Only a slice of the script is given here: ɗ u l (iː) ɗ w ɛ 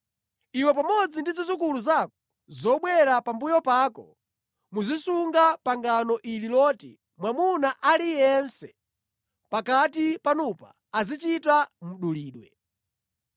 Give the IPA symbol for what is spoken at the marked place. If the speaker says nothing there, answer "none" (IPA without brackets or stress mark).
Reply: iː